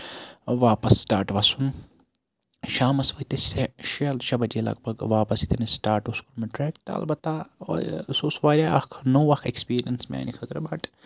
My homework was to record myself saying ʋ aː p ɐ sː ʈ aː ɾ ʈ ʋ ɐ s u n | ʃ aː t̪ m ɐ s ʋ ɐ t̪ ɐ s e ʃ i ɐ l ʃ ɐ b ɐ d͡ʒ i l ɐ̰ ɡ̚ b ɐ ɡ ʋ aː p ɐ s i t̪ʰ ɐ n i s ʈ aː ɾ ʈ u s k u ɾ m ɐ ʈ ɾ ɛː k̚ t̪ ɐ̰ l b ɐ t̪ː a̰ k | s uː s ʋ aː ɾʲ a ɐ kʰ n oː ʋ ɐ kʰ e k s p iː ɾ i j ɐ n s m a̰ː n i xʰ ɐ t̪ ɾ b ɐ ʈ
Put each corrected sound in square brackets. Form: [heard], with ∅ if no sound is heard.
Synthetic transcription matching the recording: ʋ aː p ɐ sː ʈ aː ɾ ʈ ʋ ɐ s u n | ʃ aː [∅] m ɐ s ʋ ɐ t̪ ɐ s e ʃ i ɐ l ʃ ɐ b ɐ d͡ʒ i l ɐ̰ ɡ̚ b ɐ ɡ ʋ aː p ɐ s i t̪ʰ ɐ n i s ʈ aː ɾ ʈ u s k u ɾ m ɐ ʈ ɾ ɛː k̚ t̪ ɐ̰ l b ɐ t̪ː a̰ [∅] | s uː s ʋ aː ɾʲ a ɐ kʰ n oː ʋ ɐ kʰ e k s p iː ɾ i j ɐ n s m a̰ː n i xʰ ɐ t̪ ɾ b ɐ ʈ

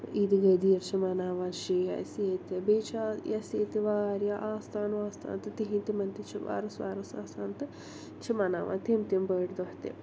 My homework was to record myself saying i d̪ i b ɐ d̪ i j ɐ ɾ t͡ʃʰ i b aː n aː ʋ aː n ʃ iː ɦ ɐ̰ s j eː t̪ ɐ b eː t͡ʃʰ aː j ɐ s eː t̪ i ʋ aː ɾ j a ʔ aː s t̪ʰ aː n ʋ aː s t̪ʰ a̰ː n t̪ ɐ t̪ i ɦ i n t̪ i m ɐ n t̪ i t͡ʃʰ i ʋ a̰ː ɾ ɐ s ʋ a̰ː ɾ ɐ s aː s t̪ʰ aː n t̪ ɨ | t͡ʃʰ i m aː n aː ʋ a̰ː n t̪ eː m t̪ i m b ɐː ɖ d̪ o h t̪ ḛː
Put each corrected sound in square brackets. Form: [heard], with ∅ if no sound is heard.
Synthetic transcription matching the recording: i d̪ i [ɡ] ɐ d̪ i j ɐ ɾ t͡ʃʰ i [m] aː n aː ʋ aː n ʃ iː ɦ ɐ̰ s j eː t̪ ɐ b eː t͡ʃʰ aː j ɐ s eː t̪ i ʋ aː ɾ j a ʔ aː s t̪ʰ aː n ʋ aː s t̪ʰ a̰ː n t̪ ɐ t̪ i ɦ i n t̪ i m ɐ n t̪ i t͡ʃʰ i ʋ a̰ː ɾ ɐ s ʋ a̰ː ɾ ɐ s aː s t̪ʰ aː n t̪ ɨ | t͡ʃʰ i m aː n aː ʋ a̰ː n t̪ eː m t̪ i m b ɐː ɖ d̪ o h t̪ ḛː

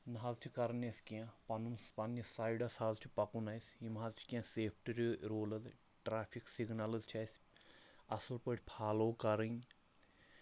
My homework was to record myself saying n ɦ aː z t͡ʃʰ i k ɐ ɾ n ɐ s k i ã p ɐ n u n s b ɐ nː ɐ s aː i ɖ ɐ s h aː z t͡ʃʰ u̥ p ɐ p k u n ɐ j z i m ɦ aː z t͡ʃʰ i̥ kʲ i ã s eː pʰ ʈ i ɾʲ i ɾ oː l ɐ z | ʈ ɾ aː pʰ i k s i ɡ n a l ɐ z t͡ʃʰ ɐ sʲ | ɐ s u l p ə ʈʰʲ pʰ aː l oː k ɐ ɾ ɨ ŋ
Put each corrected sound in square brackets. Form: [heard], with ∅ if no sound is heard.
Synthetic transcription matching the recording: n ɦ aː z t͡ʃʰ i k ɐ ɾ n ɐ s k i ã p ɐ n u n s [p] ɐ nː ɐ s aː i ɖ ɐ s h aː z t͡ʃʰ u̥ p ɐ [∅] k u n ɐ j [s] i m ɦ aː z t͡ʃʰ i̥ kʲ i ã s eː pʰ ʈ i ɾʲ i ɾ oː l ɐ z | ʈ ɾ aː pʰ i k s i ɡ n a l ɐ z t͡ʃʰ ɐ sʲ | ɐ s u l p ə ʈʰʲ pʰ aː l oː k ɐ ɾ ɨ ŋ

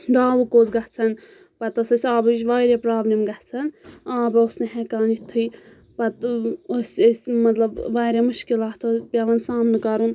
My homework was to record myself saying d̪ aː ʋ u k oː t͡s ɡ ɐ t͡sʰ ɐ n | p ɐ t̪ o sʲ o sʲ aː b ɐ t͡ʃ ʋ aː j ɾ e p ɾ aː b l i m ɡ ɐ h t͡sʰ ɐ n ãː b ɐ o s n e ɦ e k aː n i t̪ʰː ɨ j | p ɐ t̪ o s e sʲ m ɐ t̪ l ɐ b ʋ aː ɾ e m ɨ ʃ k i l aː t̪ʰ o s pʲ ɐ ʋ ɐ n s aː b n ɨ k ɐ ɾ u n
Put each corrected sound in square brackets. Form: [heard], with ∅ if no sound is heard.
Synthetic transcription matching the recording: d̪ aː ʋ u k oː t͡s ɡ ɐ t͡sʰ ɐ n | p ɐ t̪ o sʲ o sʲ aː b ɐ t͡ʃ ʋ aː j ɾ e p ɾ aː b l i m ɡ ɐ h t͡sʰ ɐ n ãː b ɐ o s n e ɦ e k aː n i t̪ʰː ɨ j | p ɐ t̪ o s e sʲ m ɐ t̪ l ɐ b ʋ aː ɾ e m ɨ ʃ k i l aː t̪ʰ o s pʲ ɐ ʋ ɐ n s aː [m] n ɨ k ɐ ɾ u n

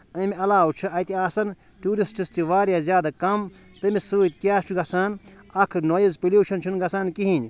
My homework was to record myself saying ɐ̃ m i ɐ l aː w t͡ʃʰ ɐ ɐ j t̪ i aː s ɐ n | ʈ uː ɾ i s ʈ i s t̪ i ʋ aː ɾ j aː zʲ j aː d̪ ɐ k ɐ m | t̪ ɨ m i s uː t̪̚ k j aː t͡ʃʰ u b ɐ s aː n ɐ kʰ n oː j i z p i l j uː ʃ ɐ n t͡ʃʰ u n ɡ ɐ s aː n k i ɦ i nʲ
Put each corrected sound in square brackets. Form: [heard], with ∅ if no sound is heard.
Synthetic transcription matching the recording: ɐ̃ m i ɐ l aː w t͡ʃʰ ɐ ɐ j t̪ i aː s ɐ n | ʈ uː ɾ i s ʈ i s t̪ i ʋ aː ɾ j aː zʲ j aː d̪ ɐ k ɐ m | t̪ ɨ m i s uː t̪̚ k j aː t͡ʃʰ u [ɡ] ɐ s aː n ɐ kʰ n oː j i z p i l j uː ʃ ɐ n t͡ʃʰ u n ɡ ɐ s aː n k i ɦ i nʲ

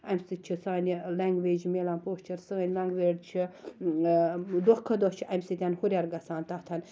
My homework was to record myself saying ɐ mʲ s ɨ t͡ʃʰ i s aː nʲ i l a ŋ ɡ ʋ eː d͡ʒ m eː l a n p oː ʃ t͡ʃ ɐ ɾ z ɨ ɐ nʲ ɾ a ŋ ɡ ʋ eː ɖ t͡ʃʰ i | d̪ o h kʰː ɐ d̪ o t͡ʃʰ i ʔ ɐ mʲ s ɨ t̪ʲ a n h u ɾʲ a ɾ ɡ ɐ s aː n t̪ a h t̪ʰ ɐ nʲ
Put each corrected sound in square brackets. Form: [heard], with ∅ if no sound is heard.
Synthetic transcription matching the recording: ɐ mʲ s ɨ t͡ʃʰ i s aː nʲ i l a ŋ ɡ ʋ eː d͡ʒ m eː l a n p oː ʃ t͡ʃ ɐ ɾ [s] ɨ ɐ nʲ [l] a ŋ ɡ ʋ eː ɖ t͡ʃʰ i | d̪ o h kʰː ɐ d̪ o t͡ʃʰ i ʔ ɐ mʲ s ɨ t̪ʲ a n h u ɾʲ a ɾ ɡ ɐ s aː n t̪ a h t̪ʰ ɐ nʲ

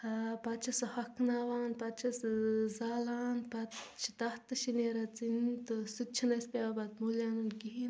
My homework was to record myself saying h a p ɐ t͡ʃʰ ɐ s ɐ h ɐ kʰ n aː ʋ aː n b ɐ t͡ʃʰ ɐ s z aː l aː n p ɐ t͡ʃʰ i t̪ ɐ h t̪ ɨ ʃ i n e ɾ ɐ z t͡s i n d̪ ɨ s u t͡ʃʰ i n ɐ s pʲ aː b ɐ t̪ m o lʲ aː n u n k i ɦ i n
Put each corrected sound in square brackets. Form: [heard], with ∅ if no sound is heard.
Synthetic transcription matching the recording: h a p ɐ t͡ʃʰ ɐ s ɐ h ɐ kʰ n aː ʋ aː n [p] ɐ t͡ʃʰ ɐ s z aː l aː n p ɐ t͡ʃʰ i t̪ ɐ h t̪ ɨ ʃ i n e ɾ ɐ [∅] t͡s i n [t̪] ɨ s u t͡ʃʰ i n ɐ s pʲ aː b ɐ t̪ m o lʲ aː n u n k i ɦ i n

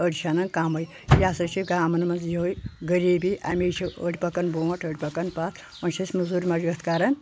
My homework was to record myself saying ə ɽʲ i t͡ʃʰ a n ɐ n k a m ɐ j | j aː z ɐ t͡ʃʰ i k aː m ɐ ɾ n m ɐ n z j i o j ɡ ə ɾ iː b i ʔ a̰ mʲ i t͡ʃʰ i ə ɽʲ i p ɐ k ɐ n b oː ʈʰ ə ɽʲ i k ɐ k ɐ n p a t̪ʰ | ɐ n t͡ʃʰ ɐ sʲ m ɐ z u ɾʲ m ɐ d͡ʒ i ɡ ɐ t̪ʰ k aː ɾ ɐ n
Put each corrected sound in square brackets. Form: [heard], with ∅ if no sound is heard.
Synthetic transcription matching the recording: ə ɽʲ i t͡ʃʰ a n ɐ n k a m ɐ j | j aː [s] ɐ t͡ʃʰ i [ɡ] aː m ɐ [∅] n m ɐ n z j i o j ɡ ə ɾ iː b i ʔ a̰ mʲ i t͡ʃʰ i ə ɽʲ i p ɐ k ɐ n b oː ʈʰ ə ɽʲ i [p] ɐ k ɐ n p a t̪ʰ | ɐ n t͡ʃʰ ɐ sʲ m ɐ z u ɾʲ m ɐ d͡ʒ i ɡ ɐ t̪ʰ k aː ɾ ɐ n

